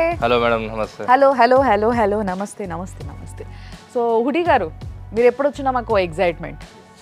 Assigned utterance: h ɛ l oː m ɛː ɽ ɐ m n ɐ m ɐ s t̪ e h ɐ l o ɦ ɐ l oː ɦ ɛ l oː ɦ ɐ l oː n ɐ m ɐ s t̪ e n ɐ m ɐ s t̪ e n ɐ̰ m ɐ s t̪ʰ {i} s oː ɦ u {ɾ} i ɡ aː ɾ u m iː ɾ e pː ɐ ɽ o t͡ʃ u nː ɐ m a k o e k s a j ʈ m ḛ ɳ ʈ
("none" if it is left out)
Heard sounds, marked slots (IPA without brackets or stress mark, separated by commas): e, ɽ